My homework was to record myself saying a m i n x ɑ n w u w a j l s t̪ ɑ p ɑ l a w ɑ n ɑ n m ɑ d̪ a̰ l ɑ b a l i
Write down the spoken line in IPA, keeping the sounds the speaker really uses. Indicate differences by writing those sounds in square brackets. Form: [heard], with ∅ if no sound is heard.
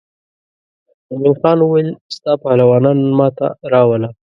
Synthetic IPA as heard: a m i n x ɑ n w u w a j l s t̪ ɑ p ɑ l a w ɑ n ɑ n m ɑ [t̪] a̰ [ɾ] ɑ [w] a l [a]